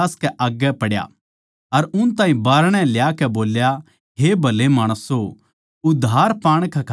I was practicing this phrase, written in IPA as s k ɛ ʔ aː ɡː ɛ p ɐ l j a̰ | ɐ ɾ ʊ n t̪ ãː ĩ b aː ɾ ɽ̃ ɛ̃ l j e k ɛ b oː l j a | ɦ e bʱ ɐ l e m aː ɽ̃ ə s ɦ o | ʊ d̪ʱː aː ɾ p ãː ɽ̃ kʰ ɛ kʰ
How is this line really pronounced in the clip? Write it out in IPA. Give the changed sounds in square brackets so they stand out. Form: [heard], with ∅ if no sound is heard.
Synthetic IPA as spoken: s k ɛ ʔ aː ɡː ɛ p ɐ [ɽ] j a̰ | ɐ ɾ ʊ n t̪ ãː ĩ b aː ɾ ɽ̃ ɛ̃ l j [a] k ɛ b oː l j a | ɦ e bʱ ɐ l e m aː ɽ̃ ə s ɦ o | ʊ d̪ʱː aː ɾ p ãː ɽ̃ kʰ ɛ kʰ